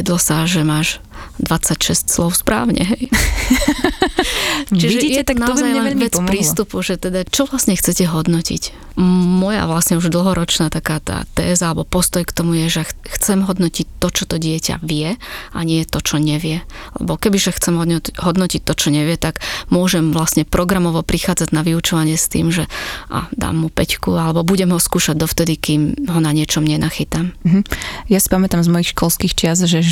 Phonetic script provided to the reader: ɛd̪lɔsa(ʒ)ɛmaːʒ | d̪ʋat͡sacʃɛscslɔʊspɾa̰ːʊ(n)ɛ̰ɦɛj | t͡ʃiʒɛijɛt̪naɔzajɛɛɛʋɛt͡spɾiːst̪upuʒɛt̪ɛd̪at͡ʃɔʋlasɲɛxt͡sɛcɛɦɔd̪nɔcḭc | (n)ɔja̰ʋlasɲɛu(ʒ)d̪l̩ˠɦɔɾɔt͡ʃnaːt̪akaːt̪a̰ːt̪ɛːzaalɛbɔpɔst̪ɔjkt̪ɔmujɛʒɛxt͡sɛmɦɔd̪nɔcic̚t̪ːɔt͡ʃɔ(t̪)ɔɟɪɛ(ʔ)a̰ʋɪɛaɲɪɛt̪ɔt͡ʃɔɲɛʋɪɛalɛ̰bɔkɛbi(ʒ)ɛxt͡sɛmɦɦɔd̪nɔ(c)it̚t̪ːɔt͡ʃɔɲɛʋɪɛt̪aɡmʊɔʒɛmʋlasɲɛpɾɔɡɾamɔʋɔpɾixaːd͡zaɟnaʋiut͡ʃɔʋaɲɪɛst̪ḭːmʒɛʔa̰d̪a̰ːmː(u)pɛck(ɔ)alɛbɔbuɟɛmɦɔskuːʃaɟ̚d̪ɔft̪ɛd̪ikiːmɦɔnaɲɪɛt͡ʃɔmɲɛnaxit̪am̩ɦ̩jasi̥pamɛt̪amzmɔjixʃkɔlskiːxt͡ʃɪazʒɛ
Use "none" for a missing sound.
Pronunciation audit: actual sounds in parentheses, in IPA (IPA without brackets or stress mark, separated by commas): ʒ, ɲ, m, ʒ, t̪, c, ʒ, c, u, u